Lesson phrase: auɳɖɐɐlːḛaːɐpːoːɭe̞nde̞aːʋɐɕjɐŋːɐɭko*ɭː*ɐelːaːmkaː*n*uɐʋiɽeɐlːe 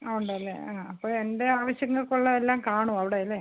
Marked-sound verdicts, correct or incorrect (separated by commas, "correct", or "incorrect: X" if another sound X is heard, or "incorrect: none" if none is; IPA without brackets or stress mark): correct, incorrect: ɳ